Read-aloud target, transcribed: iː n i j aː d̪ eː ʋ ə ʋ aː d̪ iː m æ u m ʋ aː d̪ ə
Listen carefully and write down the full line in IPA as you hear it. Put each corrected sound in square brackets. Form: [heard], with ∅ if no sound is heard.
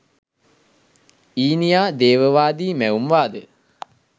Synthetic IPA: iː n i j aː d̪ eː ʋ ə ʋ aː d̪ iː m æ u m ʋ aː d̪ ə